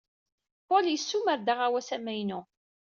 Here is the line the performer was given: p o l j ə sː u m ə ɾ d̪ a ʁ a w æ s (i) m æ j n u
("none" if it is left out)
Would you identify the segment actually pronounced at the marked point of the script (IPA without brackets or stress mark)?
æ